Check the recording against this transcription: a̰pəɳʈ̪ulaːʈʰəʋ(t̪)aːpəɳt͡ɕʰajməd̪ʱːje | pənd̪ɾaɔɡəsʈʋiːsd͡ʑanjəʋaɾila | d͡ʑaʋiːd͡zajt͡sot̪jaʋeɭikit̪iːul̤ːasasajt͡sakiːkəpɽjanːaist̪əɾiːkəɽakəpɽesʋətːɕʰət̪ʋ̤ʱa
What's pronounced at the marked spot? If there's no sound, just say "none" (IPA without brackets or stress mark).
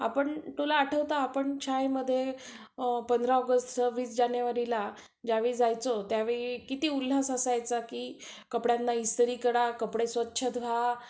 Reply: t̪